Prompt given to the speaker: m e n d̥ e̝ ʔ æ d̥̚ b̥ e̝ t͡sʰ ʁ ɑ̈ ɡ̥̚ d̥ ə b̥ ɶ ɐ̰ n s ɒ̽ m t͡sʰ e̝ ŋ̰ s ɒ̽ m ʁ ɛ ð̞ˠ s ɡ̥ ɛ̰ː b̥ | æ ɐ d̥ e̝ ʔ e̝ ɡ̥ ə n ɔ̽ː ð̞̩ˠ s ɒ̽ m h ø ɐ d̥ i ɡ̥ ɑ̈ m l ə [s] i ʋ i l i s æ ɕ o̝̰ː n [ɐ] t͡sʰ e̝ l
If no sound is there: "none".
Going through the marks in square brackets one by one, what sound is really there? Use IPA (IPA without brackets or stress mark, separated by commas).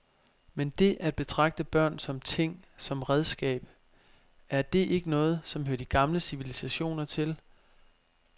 s, ɐ